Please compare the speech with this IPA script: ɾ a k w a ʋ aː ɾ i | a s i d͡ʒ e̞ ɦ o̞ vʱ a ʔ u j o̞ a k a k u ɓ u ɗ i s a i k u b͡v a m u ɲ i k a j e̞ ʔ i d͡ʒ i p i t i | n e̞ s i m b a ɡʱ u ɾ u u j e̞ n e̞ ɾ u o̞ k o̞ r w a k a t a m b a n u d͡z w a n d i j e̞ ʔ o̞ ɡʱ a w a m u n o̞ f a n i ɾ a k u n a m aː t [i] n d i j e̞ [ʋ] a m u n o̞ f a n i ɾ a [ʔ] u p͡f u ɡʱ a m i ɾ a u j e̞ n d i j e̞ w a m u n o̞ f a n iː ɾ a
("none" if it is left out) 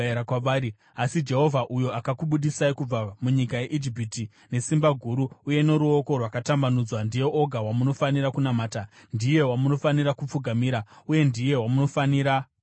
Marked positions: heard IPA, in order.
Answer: a, w, k

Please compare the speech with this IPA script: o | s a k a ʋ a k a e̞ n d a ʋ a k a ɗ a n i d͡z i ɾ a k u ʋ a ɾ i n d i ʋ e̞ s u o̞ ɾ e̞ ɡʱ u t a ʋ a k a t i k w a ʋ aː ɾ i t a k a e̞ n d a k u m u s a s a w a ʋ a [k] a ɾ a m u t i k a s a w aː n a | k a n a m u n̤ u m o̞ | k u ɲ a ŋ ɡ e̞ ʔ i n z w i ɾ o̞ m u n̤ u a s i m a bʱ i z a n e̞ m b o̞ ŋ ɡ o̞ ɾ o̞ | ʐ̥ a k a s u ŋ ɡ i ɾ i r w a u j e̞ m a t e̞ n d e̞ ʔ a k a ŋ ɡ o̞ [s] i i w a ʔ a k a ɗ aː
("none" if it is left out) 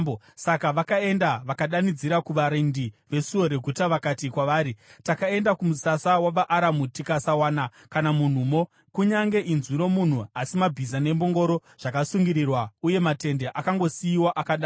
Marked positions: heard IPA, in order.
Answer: ʔ, s

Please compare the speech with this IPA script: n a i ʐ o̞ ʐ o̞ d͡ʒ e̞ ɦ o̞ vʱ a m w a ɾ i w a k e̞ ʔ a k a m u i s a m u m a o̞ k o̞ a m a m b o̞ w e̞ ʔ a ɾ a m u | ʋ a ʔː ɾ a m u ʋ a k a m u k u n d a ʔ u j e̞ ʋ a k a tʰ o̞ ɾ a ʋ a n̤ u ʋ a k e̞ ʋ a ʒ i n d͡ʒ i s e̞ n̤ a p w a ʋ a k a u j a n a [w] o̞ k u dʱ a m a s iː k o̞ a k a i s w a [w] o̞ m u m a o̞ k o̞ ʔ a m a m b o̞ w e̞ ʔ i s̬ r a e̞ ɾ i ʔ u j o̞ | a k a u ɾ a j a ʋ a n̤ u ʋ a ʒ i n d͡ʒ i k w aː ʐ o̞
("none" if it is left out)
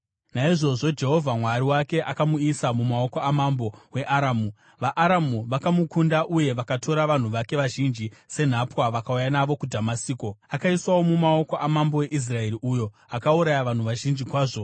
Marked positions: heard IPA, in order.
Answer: ʋ, w

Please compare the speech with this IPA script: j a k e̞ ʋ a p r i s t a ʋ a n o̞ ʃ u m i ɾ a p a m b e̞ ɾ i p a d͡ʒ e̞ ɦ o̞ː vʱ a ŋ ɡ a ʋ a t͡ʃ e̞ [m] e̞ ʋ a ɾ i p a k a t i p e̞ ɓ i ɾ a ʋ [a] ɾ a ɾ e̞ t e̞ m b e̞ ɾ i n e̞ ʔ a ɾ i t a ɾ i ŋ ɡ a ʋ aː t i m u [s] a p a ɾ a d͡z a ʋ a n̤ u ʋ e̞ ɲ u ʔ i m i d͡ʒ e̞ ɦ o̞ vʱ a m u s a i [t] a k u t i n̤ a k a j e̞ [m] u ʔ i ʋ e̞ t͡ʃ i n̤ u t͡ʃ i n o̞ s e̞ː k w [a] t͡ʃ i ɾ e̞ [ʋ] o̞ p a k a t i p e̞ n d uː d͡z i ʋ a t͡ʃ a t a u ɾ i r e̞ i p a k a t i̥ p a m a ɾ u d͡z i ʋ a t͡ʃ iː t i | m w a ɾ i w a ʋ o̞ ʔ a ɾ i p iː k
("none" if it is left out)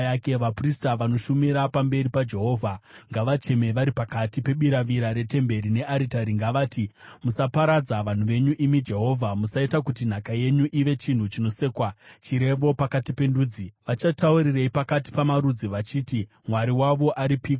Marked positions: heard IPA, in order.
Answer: m, i, s, t, ɲ, a, ʋ

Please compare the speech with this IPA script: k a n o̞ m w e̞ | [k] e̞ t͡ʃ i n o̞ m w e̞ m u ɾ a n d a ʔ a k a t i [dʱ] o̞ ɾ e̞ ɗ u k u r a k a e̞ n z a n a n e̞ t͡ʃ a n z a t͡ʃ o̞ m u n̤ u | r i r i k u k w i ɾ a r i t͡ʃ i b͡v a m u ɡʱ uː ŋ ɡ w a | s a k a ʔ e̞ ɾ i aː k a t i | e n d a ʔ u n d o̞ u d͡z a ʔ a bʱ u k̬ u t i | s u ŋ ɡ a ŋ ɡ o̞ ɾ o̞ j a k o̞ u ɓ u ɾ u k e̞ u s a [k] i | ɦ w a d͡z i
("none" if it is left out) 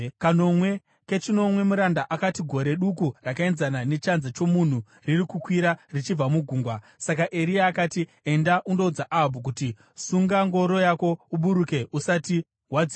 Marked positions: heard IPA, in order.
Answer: k, ɡʱ, t

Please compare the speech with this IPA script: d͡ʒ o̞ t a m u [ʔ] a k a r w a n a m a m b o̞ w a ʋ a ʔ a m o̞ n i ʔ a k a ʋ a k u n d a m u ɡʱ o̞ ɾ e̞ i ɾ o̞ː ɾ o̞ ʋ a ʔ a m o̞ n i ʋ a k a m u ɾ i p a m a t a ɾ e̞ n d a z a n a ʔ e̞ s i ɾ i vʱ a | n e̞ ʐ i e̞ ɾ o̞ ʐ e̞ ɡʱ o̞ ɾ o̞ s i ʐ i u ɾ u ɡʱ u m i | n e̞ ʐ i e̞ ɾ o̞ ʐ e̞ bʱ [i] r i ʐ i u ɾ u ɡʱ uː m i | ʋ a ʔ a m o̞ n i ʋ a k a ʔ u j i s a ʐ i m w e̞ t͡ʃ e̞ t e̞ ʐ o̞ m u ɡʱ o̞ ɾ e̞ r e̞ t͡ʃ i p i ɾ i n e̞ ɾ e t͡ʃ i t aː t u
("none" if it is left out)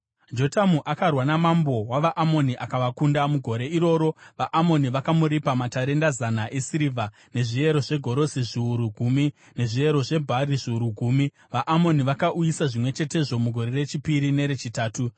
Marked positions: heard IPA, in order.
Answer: ʔ, a

